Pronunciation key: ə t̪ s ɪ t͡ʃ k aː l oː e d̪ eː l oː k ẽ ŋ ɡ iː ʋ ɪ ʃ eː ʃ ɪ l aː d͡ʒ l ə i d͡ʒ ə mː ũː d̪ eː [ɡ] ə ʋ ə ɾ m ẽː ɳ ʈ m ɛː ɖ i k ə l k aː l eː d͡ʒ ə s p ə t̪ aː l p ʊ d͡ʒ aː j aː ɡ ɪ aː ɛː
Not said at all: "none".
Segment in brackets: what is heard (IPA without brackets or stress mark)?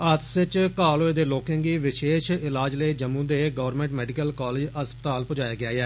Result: ɡ